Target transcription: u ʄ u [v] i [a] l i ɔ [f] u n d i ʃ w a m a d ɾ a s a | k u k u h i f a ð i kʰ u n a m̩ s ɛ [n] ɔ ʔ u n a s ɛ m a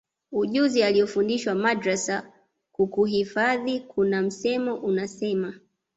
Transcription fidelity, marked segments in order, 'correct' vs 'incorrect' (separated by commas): incorrect, correct, correct, incorrect